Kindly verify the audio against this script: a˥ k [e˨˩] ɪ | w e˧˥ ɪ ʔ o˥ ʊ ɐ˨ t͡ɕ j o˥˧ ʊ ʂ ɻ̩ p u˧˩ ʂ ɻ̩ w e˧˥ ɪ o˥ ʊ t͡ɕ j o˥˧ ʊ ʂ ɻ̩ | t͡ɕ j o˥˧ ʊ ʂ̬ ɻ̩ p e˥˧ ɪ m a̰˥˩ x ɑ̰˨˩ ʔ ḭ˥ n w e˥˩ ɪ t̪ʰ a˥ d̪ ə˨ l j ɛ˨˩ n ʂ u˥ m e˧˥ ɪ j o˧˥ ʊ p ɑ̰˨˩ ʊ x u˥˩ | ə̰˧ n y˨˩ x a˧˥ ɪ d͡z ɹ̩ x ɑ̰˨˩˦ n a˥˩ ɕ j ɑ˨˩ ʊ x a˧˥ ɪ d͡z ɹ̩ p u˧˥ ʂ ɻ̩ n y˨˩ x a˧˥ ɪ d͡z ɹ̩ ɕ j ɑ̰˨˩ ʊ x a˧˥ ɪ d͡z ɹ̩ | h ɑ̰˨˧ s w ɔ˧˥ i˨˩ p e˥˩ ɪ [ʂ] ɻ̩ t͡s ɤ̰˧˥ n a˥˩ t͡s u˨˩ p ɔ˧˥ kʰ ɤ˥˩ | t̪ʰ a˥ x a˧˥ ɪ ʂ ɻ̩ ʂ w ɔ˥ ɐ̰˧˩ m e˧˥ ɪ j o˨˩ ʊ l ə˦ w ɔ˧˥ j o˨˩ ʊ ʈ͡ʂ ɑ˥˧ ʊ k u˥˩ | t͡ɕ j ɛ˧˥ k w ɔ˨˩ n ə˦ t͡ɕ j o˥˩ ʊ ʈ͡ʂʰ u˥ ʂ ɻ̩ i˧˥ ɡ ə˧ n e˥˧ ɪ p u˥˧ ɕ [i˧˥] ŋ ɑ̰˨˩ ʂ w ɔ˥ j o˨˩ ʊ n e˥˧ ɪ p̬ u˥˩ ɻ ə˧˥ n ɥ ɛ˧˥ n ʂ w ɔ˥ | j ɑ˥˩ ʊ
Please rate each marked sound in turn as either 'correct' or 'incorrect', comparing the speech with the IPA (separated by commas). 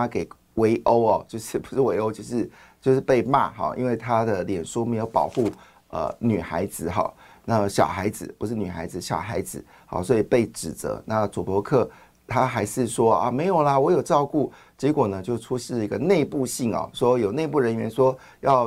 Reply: correct, incorrect, incorrect